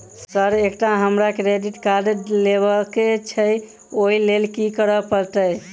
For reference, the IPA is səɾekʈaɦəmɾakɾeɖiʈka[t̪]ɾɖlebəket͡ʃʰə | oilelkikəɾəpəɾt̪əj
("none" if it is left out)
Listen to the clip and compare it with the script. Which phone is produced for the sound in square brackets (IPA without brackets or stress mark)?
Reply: none